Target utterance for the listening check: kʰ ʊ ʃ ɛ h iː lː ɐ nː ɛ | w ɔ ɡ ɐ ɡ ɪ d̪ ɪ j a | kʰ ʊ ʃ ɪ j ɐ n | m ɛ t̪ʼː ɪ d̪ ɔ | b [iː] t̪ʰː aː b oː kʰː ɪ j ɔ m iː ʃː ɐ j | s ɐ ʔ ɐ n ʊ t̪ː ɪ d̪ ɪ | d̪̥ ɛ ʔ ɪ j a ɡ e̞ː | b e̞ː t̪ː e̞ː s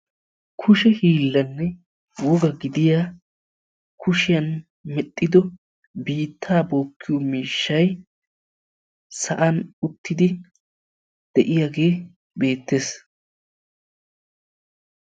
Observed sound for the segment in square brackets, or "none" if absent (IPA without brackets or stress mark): iː